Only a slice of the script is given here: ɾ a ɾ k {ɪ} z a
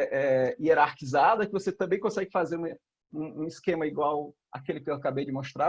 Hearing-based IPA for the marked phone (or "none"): i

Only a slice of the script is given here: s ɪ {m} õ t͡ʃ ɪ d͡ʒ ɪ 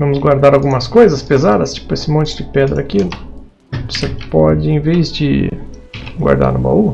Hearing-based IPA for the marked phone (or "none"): m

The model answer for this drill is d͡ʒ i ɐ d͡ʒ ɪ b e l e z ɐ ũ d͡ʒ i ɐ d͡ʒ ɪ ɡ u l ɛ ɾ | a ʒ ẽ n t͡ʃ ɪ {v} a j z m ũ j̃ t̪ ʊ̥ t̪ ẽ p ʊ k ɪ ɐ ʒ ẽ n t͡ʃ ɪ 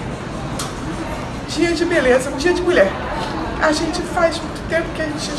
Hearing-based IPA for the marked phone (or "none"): f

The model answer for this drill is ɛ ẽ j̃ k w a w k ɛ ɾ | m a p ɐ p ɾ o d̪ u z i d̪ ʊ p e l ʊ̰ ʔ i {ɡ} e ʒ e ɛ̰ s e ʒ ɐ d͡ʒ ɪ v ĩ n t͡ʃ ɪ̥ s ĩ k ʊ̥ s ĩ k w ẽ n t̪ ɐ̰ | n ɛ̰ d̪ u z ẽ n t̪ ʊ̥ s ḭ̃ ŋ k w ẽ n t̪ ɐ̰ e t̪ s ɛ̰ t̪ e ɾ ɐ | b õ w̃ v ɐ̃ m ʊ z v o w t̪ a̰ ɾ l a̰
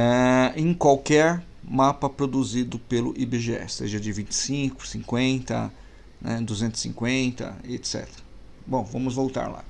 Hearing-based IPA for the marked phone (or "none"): b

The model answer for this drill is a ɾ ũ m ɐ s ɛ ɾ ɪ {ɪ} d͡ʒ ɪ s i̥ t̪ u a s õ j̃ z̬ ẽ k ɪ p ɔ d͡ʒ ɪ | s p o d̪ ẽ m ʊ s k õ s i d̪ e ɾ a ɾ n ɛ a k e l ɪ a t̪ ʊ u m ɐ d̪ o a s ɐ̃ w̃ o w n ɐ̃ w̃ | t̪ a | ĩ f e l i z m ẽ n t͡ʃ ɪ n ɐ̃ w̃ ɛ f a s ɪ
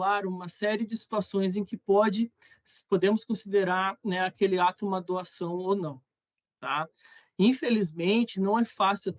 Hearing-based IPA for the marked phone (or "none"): ɪ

